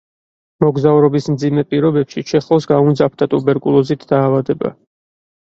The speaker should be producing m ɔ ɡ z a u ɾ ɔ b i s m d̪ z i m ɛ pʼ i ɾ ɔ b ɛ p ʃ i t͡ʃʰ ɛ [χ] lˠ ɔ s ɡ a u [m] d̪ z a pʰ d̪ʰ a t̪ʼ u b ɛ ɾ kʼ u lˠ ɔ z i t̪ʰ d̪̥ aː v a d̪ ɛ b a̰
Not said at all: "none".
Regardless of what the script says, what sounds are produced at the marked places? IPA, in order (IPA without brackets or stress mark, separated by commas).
χ, n